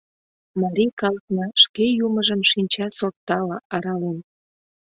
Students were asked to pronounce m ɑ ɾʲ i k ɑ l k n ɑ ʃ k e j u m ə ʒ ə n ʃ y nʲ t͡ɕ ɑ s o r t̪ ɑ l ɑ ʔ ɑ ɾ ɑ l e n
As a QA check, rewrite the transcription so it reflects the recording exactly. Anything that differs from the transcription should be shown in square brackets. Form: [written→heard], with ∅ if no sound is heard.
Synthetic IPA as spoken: m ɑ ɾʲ i k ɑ l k n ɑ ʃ k e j u m ə ʒ ə [n→m] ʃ [y→i] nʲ t͡ɕ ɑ s o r t̪ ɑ l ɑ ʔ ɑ ɾ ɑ l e n